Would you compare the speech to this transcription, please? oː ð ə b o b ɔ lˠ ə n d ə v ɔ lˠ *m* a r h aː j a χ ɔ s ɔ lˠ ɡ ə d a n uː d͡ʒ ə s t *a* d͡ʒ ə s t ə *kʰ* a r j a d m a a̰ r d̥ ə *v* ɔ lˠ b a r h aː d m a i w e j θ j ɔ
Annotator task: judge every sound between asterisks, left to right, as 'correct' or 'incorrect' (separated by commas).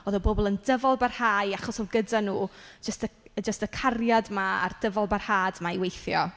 incorrect, incorrect, correct, correct